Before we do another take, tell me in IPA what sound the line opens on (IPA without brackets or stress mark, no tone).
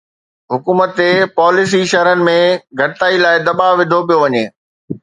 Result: ɦ